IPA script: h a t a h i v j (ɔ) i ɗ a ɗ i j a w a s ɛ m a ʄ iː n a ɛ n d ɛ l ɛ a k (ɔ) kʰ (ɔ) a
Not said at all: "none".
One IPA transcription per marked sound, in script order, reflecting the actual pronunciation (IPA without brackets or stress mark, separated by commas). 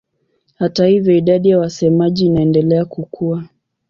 ɔ, u, u